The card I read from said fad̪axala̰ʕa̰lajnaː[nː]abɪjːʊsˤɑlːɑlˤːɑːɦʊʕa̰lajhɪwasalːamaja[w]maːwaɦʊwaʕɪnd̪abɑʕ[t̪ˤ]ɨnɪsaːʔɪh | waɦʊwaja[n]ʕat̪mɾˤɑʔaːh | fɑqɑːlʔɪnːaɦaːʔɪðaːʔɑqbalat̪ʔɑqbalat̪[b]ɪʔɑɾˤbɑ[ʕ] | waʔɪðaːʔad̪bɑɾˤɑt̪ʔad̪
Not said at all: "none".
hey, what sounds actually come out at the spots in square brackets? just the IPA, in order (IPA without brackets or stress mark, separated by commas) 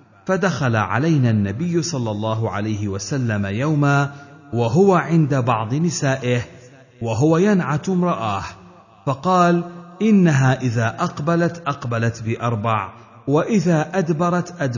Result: nː, w, d̪ˤ, n, b, ʕ